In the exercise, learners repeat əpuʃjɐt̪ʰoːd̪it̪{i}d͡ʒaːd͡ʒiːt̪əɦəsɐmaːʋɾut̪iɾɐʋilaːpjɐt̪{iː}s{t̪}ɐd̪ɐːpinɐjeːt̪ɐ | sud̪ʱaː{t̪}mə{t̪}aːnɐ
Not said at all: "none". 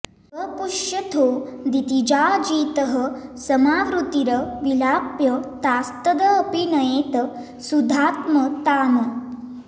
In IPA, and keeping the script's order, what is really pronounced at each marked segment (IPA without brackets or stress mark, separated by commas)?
i, aː, t̪, t̪, t̪